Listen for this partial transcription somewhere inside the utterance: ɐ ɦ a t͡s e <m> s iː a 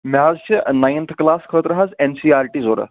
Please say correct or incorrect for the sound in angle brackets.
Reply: incorrect